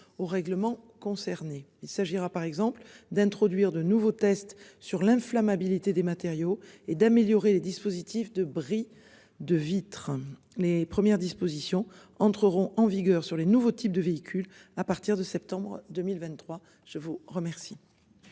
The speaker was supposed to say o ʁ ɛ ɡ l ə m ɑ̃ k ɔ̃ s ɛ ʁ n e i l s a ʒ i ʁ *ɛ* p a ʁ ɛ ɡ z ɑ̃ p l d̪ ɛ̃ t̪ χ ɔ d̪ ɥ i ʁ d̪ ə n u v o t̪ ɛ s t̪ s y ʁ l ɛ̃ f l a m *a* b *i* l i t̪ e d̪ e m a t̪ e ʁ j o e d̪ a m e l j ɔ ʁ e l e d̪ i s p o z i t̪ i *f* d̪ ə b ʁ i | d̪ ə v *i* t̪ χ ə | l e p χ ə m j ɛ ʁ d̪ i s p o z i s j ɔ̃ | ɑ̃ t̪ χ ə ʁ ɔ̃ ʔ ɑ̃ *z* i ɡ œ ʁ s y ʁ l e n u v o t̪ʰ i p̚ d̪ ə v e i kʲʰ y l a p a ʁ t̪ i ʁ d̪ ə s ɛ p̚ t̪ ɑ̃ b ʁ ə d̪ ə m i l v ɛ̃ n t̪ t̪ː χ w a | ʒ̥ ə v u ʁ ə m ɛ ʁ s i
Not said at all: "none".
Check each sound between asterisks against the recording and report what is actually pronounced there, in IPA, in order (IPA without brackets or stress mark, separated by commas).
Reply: a, a, i, f, i, v